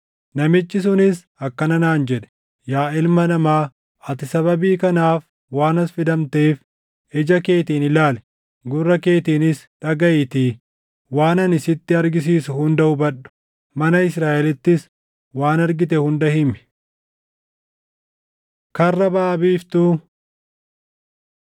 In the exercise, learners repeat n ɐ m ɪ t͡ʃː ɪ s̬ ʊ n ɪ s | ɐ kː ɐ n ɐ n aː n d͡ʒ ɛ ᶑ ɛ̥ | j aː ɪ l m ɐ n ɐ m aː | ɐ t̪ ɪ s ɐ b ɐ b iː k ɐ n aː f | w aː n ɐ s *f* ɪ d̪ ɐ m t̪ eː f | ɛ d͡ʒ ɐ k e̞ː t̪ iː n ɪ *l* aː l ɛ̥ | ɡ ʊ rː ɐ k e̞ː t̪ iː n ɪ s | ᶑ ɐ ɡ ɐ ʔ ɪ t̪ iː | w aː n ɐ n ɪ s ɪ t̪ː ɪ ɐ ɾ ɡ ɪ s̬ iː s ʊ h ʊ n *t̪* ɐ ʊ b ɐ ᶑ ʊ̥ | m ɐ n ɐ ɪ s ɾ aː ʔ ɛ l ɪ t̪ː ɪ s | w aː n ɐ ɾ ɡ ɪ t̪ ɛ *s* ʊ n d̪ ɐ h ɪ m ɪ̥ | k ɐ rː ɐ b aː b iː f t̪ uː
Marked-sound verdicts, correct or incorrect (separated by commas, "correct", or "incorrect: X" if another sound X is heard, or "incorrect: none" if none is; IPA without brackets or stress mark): correct, correct, incorrect: d̪, incorrect: h